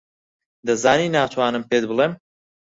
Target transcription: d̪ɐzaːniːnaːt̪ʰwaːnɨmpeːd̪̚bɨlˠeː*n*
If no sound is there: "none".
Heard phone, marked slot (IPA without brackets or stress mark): m